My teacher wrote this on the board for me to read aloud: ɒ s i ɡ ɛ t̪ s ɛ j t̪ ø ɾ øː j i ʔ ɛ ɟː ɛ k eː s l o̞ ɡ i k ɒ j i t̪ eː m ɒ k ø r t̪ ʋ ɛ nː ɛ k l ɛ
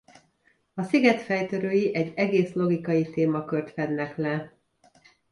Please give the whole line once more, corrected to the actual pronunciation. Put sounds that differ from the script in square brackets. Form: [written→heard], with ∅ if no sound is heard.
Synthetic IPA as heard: ɒ s i ɡ ɛ t̪ [s→f] ɛ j t̪ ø ɾ øː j i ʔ ɛ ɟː ɛ [k→ɡ] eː s l o̞ ɡ i k ɒ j i t̪ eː m ɒ k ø r t̪ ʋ ɛ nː ɛ k l ɛ